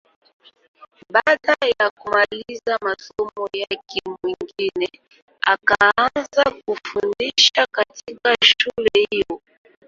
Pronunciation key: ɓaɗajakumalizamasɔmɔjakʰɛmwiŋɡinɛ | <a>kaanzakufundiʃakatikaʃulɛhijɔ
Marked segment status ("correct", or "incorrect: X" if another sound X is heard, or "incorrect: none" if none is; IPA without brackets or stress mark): correct